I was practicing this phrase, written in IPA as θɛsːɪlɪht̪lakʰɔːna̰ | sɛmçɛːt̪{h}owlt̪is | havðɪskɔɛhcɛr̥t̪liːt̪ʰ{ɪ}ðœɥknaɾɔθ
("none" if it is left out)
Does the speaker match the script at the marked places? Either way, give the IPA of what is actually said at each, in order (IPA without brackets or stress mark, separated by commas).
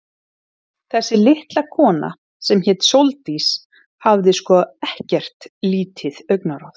s, ɪ